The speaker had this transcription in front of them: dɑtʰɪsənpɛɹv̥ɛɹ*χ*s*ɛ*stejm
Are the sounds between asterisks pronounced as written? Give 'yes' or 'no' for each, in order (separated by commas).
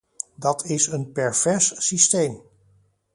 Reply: no, no